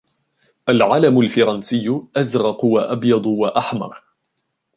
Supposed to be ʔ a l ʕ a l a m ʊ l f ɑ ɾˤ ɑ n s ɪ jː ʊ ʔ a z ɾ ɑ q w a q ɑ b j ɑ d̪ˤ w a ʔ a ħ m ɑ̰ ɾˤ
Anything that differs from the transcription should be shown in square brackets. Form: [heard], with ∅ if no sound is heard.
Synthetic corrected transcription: ʔ a l ʕ a l a m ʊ l f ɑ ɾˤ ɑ n s ɪ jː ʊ ʔ a z ɾ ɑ q w a [ʔ] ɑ b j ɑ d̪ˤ w a ʔ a ħ m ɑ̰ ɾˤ